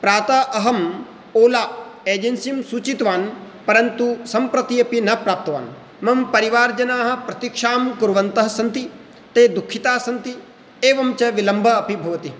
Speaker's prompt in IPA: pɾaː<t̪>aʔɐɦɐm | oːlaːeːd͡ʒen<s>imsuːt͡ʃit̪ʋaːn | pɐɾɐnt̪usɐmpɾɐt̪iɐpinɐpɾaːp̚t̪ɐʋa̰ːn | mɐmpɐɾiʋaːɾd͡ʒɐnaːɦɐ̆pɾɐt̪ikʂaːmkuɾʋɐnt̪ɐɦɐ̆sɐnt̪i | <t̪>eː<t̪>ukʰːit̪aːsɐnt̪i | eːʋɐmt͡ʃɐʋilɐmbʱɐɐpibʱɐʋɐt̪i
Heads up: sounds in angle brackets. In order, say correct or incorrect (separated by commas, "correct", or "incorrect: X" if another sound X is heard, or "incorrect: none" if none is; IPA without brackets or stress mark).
correct, correct, correct, incorrect: d̪